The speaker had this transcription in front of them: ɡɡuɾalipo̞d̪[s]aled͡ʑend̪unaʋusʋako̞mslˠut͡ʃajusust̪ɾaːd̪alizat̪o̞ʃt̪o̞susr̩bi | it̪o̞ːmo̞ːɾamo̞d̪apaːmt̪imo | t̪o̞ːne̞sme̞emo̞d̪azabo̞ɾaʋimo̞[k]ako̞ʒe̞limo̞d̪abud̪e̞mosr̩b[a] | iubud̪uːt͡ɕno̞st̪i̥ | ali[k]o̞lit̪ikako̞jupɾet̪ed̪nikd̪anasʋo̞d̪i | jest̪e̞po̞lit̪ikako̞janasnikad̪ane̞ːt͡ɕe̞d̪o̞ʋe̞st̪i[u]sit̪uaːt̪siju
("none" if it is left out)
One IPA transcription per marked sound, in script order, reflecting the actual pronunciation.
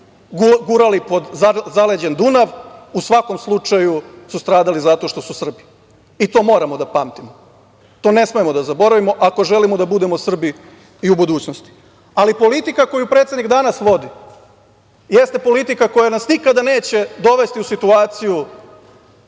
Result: z, ʔ, i, p, u

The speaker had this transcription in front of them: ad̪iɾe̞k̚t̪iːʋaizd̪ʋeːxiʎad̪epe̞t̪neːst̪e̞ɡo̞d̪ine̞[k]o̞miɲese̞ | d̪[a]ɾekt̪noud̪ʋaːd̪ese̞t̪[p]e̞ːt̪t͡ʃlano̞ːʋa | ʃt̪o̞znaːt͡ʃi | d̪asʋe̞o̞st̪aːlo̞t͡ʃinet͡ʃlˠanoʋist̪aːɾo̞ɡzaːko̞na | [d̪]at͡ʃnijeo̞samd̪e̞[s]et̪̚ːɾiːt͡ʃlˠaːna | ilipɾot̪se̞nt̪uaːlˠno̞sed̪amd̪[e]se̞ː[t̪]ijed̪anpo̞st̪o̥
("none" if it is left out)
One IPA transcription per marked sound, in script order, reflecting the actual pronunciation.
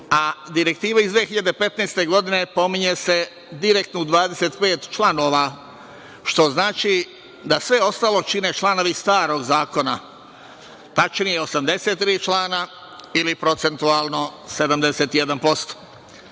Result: p, i, p, t̪, s, e, t̪

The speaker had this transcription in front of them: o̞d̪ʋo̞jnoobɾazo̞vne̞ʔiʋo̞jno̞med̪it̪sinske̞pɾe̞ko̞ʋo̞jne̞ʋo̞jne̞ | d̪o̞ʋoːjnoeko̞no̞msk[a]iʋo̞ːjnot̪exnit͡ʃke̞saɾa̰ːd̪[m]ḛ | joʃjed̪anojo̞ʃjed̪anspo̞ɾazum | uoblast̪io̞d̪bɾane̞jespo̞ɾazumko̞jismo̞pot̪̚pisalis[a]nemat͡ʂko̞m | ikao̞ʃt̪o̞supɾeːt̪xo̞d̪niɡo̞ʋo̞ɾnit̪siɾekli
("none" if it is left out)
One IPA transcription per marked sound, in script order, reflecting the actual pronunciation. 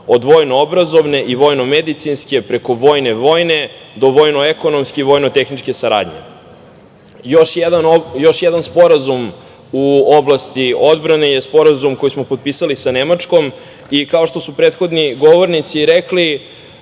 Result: e, ɲ, a

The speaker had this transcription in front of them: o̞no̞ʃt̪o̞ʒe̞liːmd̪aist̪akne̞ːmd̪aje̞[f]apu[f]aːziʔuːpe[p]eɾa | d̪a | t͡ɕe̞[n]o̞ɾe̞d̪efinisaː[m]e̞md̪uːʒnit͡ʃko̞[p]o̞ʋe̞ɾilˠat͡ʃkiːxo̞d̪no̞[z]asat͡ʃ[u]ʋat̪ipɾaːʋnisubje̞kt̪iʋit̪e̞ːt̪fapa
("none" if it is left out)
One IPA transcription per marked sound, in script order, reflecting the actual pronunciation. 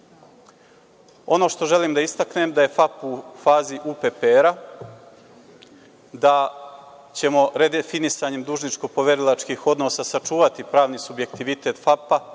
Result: f, f, p, m, ɲ, p, s, uː

